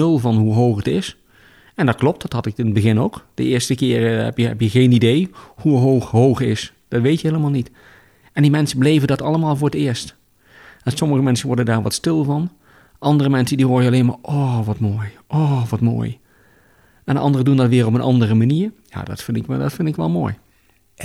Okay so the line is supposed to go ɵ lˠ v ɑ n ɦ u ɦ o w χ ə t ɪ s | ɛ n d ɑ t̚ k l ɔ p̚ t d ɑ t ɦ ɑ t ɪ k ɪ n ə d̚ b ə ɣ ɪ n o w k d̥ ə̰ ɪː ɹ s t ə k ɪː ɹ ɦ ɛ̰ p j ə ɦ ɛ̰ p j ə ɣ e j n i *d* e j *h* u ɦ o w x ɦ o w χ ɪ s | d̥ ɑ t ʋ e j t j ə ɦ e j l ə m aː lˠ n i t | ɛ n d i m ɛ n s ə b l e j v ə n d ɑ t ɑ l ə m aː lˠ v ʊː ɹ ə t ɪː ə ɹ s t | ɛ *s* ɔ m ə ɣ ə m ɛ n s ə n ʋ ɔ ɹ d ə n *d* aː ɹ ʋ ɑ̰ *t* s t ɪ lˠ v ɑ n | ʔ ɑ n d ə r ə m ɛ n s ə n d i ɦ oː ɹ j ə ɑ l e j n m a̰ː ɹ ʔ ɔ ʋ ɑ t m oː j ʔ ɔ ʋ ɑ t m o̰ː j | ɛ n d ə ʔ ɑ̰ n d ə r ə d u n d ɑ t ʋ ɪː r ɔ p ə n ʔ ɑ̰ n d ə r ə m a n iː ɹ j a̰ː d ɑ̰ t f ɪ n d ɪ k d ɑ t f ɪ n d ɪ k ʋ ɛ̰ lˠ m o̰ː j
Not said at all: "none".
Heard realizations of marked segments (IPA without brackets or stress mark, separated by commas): d, h, s, d, t